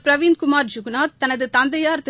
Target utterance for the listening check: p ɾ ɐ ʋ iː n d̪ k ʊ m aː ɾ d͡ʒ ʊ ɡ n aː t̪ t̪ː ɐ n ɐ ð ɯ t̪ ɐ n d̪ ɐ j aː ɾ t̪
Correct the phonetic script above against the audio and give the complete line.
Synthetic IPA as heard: p ɾ ɐ ʋ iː n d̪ k ʊ m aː ɾ d͡ʒ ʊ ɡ n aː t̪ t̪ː ɐ n ɐ ð ɯ t̪ ɐ n d̪ ɐ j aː ɾ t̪

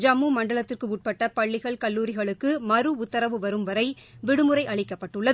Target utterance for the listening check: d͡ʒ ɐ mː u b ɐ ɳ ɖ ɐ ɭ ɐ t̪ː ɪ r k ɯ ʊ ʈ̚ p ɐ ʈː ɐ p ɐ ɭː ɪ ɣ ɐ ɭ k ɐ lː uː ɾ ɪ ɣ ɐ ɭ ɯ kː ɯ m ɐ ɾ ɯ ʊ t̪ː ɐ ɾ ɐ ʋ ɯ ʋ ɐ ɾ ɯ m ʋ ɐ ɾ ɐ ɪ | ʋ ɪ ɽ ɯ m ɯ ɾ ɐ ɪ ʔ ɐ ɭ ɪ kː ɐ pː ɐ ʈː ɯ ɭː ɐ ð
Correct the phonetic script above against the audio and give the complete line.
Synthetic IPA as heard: d͡ʒ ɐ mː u m ɐ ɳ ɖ ɐ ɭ ɐ t̪ː ɪ r k ɯ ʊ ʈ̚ p ɐ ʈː ɐ p ɐ ɭː ɪ ɣ ɐ ɭ k ɐ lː uː ɾ ɪ ɣ ɐ ɭ ɯ kː ɯ m ɐ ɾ ɯ ʊ t̪ː ɐ ɾ ɐ ʋ ɯ ʋ ɐ ɾ ɯ m ʋ ɐ ɾ ɐ ɪ | ʋ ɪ ɽ ɯ m ɯ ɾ ɐ ɪ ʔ ɐ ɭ ɪ kː ɐ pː ɐ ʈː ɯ ɭː ɐ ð

